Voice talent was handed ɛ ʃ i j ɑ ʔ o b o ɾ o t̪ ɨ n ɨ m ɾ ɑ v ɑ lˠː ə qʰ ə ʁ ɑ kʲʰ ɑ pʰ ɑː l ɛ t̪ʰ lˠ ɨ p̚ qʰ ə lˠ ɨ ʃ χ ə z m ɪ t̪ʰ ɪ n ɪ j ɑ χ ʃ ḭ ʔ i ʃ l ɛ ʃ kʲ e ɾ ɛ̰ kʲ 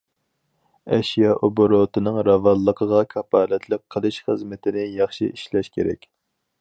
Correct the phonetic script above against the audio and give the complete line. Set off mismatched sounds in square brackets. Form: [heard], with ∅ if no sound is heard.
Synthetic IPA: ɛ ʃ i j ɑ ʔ o b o ɾ o t̪ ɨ n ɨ [ŋ] ɾ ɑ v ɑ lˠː ə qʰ ə ʁ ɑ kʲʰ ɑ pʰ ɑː l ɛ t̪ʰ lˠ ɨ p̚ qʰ ə lˠ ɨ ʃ χ ə z m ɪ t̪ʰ ɪ n ɪ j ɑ χ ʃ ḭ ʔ i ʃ l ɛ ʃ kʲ e ɾ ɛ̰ kʲ